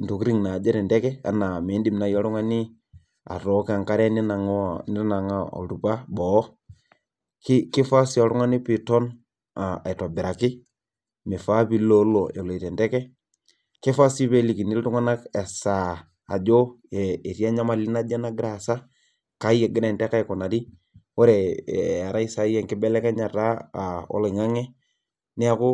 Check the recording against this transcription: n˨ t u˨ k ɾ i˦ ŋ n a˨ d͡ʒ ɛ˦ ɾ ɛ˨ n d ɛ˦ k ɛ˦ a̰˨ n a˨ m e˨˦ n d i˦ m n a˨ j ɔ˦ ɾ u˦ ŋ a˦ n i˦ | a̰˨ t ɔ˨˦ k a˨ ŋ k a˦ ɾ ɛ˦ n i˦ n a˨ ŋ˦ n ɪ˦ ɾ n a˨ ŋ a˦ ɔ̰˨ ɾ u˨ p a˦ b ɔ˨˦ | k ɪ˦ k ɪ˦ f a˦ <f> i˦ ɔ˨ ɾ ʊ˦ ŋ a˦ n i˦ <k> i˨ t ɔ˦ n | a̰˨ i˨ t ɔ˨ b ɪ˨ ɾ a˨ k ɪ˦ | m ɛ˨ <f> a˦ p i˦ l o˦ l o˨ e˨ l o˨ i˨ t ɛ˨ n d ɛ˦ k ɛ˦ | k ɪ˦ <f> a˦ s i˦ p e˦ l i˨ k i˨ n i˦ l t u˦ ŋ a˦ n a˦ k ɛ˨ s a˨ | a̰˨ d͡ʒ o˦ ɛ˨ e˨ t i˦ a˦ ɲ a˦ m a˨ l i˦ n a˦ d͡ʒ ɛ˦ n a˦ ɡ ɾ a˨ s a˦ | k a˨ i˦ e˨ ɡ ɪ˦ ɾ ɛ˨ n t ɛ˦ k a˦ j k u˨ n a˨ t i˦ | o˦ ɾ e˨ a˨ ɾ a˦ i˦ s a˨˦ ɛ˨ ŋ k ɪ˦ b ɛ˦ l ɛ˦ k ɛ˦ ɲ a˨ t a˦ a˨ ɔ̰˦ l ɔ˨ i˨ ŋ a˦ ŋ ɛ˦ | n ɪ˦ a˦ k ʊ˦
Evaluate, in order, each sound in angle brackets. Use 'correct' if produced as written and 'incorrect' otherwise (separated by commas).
incorrect, incorrect, correct, correct